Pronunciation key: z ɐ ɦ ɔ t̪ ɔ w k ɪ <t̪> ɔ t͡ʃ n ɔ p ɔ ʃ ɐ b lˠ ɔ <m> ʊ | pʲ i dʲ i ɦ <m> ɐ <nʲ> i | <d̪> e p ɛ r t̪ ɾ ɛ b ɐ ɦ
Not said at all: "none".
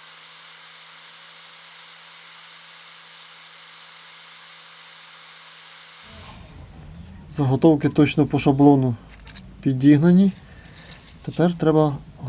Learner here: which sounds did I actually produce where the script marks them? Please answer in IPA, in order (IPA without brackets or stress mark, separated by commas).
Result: t̪, n, n, nʲ, t̪